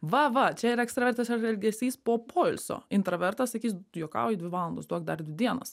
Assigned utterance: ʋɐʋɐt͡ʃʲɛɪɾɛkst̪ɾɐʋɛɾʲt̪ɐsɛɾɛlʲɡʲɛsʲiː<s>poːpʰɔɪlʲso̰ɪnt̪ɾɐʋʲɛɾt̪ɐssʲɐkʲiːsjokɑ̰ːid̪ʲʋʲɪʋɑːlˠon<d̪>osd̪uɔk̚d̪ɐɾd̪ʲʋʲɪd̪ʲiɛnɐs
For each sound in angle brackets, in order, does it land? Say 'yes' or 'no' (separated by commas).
yes, yes